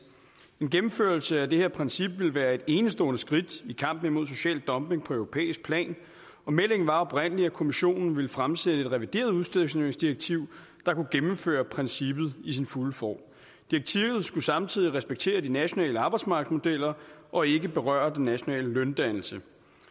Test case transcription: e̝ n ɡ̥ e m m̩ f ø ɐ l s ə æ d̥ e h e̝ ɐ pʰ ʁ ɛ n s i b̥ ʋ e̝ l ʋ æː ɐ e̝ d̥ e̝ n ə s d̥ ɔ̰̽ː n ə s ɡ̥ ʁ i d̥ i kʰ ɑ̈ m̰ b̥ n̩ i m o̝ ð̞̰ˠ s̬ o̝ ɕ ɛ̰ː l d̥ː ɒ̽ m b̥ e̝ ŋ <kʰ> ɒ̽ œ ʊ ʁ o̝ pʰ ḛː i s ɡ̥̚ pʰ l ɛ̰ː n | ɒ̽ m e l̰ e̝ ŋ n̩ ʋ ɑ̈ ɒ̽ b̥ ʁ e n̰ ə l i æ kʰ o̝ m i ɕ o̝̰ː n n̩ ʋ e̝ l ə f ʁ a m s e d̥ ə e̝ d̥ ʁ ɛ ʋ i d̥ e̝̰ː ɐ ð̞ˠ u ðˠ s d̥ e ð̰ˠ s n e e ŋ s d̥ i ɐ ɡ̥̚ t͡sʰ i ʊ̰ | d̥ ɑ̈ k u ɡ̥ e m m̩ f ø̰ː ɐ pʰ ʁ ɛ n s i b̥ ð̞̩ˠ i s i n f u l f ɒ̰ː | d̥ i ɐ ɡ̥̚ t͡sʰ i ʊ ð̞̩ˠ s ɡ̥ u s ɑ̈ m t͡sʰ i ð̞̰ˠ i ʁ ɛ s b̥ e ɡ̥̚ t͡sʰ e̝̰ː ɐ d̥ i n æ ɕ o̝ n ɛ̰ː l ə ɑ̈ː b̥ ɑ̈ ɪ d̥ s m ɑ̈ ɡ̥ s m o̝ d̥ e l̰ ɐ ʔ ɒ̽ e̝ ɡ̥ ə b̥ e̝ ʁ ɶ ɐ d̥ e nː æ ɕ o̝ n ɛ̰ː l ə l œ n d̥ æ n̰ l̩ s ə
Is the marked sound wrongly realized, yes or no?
yes